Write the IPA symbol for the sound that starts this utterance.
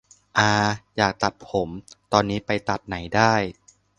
ʔ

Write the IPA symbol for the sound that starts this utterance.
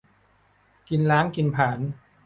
k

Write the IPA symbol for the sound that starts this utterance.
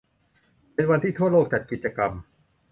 p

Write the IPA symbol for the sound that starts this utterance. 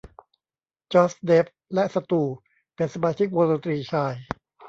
t͡ɕ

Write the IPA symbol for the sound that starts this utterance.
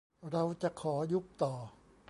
ɾ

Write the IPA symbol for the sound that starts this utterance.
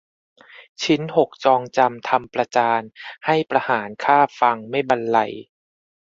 t͡ɕʰ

